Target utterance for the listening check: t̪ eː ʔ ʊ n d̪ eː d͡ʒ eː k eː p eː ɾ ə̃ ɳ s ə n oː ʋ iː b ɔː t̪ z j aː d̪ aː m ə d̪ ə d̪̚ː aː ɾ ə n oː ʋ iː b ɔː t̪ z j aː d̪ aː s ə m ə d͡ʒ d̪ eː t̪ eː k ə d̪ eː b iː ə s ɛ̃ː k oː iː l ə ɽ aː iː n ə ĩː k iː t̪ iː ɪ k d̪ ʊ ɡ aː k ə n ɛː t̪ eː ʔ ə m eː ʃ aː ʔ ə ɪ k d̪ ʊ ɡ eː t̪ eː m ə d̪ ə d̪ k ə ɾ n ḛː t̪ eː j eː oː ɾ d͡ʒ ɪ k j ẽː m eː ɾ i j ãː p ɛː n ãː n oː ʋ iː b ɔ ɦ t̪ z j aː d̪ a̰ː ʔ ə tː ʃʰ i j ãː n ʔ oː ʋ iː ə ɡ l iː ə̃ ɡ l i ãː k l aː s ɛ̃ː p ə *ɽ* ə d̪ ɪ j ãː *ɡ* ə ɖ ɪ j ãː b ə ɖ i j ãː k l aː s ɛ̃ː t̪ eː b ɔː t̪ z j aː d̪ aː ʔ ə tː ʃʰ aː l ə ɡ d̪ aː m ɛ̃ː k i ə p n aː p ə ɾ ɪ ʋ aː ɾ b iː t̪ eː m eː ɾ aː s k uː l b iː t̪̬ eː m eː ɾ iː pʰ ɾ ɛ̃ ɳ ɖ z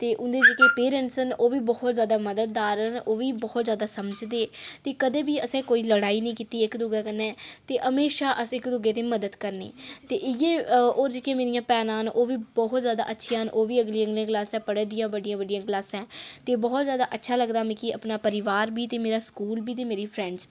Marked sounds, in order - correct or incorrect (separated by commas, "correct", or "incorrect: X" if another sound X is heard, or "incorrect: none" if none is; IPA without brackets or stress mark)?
correct, incorrect: b